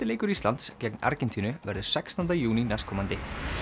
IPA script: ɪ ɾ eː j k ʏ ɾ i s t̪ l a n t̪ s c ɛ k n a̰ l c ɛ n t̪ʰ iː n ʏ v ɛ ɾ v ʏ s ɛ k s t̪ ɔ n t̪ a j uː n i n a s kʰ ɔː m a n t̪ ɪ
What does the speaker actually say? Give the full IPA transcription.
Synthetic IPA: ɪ l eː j k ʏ ɾ i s t̪ l a n t̪ s c ɛ k n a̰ ɾ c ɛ n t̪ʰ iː n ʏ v ɛ ɾ ð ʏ s ɛ k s t̪ ɔ n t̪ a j uː n i n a s kʰ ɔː m a n t̪ ɪ